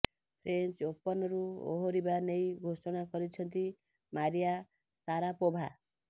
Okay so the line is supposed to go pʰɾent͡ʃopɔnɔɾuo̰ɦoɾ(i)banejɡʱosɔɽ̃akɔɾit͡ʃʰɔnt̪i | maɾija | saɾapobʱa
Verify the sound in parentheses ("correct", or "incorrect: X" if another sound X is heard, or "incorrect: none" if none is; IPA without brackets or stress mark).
correct